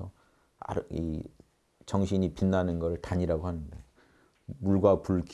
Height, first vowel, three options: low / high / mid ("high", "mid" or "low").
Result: mid